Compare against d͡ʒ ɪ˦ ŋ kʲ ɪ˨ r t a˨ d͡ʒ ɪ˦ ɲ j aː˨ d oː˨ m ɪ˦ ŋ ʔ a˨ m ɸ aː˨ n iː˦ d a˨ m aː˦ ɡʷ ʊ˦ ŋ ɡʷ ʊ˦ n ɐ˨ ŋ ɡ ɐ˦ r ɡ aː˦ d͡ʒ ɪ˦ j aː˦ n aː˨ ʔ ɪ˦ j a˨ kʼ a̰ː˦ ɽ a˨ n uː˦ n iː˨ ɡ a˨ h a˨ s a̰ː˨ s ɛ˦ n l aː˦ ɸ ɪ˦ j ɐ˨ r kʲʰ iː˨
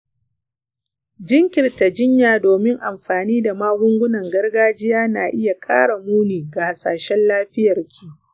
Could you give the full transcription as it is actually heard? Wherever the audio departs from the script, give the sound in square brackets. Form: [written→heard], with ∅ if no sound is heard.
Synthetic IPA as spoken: d͡ʒ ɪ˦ ŋ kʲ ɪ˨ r t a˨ d͡ʒ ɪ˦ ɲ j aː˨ d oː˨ m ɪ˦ ŋ ʔ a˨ m ɸ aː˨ n iː˦ d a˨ m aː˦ ɡʷ ʊ˦ ŋ ɡʷ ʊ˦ n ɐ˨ ŋ ɡ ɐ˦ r ɡ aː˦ d͡ʒ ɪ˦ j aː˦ n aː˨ ʔ ɪ˦ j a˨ kʼ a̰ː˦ ɽ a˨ [n→m] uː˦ n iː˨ ɡ a˨ h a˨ s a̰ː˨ [s→ʃ] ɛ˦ n l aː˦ ɸ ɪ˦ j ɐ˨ r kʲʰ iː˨